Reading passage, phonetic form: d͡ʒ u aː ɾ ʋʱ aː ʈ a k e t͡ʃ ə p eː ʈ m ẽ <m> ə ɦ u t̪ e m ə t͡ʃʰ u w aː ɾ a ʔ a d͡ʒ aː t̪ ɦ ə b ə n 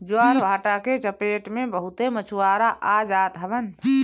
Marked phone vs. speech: incorrect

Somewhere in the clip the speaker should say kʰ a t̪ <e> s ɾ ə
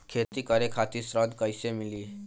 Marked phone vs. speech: incorrect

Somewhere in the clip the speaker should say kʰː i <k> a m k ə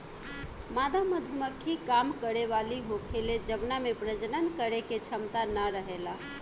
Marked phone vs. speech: correct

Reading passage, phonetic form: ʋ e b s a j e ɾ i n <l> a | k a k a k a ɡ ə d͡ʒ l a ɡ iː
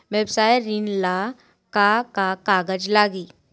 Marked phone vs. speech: correct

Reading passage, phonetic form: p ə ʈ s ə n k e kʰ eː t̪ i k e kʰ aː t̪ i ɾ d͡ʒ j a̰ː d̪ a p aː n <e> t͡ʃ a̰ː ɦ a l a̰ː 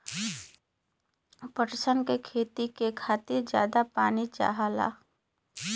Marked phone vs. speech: incorrect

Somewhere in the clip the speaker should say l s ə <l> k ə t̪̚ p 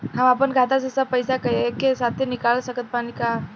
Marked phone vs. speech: incorrect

